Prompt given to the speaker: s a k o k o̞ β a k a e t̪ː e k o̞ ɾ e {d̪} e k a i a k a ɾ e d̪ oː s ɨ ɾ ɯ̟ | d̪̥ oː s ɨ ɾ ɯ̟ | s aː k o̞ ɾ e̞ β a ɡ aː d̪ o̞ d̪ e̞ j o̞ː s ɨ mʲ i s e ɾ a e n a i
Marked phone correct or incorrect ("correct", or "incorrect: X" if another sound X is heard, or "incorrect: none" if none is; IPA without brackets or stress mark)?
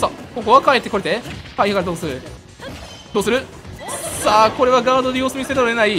incorrect: t̪